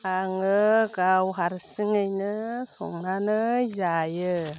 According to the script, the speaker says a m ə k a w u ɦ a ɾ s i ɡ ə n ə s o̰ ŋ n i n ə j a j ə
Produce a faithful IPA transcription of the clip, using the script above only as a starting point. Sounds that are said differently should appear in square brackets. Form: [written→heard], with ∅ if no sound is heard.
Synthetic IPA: a [m→ŋ] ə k a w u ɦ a ɾ s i [ɡ→ŋ] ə n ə s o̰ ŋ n [i→a] n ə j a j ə